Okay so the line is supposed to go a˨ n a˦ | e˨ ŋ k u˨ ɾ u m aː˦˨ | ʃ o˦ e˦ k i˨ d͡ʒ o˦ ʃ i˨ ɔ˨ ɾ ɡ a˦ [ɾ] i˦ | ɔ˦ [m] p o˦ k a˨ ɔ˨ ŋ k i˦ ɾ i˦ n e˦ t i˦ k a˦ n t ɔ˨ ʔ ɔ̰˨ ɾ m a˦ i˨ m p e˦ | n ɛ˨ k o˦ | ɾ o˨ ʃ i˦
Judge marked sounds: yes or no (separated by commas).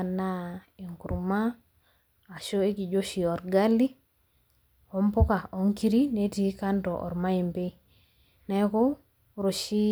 no, yes